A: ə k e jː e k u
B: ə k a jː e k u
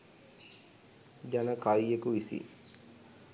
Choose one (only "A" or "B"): B